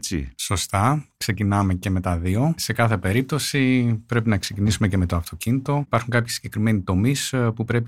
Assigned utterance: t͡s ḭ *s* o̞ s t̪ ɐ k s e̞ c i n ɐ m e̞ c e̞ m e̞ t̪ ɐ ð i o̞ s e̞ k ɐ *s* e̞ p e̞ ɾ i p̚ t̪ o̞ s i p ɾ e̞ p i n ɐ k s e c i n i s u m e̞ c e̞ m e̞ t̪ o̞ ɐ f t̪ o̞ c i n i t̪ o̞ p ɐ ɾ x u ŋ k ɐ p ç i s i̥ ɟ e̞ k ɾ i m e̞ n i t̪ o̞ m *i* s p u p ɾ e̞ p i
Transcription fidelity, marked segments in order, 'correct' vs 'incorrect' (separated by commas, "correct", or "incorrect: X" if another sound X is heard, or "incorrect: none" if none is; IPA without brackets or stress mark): correct, incorrect: θ, correct